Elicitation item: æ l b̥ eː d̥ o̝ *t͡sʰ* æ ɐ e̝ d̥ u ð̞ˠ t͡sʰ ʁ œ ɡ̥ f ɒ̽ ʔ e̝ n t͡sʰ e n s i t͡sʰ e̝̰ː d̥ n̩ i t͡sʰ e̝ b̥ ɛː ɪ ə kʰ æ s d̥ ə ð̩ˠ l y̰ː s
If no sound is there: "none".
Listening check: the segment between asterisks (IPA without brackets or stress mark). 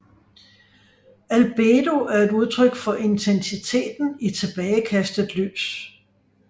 none